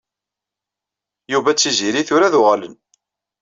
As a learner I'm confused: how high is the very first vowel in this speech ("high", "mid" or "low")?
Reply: high